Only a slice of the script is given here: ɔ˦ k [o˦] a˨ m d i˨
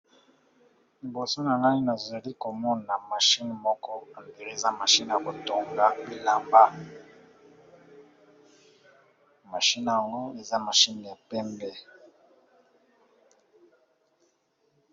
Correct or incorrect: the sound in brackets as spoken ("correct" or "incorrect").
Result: incorrect